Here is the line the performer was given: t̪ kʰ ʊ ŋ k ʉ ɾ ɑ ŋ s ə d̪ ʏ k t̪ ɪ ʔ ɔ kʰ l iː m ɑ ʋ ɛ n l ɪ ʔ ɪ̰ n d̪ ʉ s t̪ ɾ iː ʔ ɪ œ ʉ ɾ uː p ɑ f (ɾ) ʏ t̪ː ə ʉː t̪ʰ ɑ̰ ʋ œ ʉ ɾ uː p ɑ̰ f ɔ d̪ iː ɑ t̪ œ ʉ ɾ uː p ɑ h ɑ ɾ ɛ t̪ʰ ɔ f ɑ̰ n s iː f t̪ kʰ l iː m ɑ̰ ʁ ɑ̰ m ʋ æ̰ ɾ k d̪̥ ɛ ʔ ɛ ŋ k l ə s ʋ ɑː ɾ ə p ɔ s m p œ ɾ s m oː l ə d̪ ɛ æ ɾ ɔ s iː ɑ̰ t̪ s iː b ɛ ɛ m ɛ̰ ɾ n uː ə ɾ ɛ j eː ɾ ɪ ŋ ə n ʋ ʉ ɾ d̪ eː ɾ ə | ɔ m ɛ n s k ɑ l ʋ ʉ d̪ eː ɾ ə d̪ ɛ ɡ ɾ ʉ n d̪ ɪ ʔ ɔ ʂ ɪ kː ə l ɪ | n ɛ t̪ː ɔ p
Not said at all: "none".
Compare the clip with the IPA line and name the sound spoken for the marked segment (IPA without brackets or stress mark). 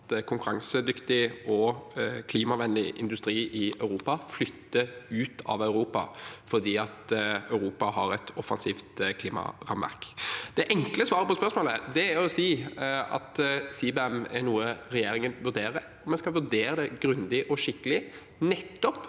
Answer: l